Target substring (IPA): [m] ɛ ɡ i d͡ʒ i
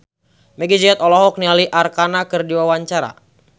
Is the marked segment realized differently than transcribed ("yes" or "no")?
no